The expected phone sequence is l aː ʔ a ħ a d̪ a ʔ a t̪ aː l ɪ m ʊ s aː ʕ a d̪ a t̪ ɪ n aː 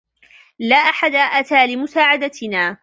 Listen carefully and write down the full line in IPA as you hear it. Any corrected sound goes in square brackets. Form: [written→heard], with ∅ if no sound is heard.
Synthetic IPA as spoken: l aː ʔ a ħ a d̪ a ʔ a t̪ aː l ɪ m ʊ s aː ʕ a d̪ a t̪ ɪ n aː